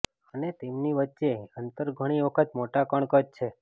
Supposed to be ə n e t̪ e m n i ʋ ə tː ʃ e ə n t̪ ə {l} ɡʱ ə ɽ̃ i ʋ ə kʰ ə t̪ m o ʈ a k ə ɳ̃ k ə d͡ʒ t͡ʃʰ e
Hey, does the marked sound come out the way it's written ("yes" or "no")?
no